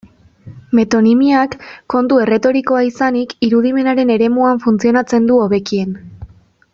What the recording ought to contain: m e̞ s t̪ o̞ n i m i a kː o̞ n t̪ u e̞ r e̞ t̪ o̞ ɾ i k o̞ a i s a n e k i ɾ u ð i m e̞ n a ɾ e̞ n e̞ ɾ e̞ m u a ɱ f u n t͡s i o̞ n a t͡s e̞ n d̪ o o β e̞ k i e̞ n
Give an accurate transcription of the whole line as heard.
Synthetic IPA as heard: m e̞ t̪ o̞ n i m i a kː o̞ n t̪ u e̞ r e̞ t̪ o̞ ɾ i k o̞ a i s a n i k i ɾ u ð i m e̞ n a ɾ e̞ n e̞ ɾ e̞ m u a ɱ f u n t͡s i o̞ n a t͡s e̞ n d̪ u o β e̞ k i e̞ n

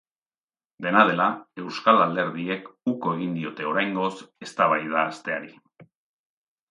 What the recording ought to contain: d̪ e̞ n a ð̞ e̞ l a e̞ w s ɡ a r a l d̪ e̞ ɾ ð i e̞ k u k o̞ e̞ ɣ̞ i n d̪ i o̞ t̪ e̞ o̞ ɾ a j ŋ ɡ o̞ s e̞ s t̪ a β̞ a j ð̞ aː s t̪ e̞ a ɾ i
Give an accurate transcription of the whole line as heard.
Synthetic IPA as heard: d̪ e̞ n a ð̞ e̞ l a e̞ w s k a l a l d̪ e̞ ɾ ð i e̞ k u k o̞ e̞ ɣ̞ i n d̪ i o̞ t̪ e̞ o̞ ɾ a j ŋ ɡ o̞ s e̞ s t̪ a β̞ a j ð̞ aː s t̪ e̞ a ɾ i

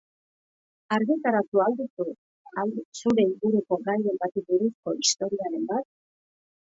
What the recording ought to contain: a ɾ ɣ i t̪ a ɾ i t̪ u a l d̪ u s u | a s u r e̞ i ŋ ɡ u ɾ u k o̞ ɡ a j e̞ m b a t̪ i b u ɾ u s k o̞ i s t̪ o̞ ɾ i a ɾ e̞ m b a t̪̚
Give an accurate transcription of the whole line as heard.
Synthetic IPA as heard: a ɾ ɣ i t̪ a ɾ a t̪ u a l d̪ u s u | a s u ɾ e̞ i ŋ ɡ u ɾ u k o̞ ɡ a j e̞ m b a t̪ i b u ɾ u s k o̞ i s t̪ o̞ ɾ i a ɾ e̞ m b a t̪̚

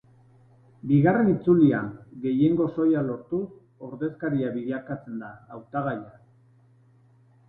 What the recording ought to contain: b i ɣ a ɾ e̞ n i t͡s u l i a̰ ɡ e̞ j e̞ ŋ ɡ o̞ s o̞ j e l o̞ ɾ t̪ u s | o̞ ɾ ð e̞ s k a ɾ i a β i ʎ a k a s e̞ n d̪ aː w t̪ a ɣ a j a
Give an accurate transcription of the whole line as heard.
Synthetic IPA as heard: b i ɣ a r e̞ n i t͡s u l i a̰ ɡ e̞ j e̞ ŋ ɡ o̞ s o̞ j a l o̞ ɾ t̪ u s | o̞ ɾ ð e̞ s k a ɾ i a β i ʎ a k a t͡s e̞ n d̪ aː w t̪ a ɣ a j a

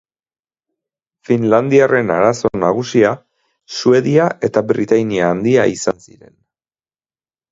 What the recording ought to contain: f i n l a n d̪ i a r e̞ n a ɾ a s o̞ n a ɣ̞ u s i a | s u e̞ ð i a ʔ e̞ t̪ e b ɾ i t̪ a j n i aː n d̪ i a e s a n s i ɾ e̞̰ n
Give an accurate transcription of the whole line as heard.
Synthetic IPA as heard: f i n l a n d̪ i a r e̞ n a ɾ a s o̞ n a ɣ̞ u s i a | s u e̞ ð i a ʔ e̞ t̪ a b ɾ i t̪ a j n i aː n d̪ i a i s a n s i ɾ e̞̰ n

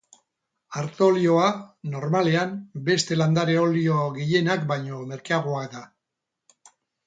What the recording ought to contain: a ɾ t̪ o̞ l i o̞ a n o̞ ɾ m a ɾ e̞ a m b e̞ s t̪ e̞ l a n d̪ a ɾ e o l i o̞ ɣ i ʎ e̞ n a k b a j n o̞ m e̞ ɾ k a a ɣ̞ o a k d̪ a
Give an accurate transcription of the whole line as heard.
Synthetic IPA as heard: a ɾ t̪ o̞ l i o̞ a n o̞ ɾ m a l e̞ a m b e̞ s t̪ e̞ l a n d̪ a ɾ e o l i o̞ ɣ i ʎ e̞ n a k b a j ɲ o̞ m e̞ ɾ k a a ɣ̞ o a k d̪ a

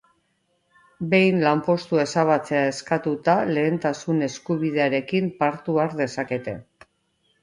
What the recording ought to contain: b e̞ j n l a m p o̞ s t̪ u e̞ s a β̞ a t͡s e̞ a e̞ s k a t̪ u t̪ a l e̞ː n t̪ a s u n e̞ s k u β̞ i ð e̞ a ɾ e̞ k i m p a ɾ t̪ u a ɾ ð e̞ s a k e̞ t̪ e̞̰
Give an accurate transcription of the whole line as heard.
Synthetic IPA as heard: b e̞ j n l a m p o̞ s t̪ u e̞ s a β̞ a t͡s e̞ a e̞ s k a t̪ u t̪ a l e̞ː n t̪ a s u n e̞ s k u β̞ i ð e̞ a ɾ e̞ k i m p a ɾ t̪ u a ɾ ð e̞ s a k e̞ t̪ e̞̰

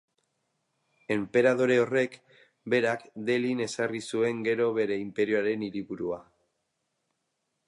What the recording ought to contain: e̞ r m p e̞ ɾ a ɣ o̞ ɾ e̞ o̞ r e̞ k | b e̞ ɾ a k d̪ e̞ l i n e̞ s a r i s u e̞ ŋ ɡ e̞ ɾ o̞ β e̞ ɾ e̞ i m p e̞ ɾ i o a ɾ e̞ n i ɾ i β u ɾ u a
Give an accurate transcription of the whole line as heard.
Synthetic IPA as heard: e̞ m p e̞ ɾ a ð o̞ ɾ e̞ o̞ r e̞ k | b e̞ ɾ a k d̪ e̞ l i n e̞ s a r i s u e̞ ŋ ɡ e̞ ɾ o̞ β e̞ ɾ e̞ i m p e̞ ɾ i o a ɾ e̞ n i ɾ i β u ɾ u a

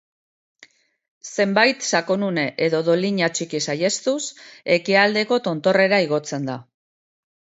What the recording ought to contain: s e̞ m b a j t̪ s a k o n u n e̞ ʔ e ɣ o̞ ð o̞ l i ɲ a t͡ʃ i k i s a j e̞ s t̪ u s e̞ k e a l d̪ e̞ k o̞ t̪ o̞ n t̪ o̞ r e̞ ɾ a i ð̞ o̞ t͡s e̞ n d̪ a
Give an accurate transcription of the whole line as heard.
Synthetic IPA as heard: s e̞ m b a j t̪ s a k o n u n e̞ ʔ e ð o̞ ð o̞ l i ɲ a t͡ʃ i k i s a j e̞ s t̪ u s e̞ k i a l d̪ e̞ k o̞ t̪ o̞ n t̪ o̞ r e̞ ɾ a i ɣ̞ o̞ t͡s e̞ n d̪ a

